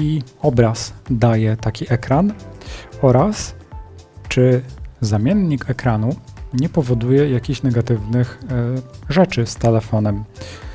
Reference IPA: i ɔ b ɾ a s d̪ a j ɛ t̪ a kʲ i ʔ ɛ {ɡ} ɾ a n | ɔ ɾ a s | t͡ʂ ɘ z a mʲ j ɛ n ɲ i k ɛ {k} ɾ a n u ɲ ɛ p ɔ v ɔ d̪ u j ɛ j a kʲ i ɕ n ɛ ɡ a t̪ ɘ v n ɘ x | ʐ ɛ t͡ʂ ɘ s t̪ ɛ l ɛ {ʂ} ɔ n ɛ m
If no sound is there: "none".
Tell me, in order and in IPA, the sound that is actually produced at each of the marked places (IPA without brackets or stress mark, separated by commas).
k, k, f